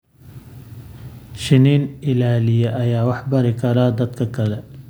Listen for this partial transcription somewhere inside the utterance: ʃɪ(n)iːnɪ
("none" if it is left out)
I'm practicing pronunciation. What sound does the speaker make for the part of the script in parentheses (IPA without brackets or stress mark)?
n